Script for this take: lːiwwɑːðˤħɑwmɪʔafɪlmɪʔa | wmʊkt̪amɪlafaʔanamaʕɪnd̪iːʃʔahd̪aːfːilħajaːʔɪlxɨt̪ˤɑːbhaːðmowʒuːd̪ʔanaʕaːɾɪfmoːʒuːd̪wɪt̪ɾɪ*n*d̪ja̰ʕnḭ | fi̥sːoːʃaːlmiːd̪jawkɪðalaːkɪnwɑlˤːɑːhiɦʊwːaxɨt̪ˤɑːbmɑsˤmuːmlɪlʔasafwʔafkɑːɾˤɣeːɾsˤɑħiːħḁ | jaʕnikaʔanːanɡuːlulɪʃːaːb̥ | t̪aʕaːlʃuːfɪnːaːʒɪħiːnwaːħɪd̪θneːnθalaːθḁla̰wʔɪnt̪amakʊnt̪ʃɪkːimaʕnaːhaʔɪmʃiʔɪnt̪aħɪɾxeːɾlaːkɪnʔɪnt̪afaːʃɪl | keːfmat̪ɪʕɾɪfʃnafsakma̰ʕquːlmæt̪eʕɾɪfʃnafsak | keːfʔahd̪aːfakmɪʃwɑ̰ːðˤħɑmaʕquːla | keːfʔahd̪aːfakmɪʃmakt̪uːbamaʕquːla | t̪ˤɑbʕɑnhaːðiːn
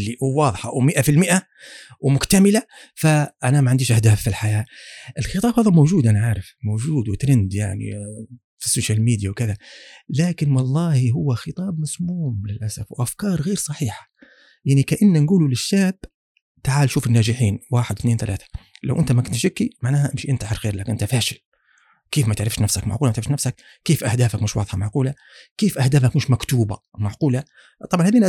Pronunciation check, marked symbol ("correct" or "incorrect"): correct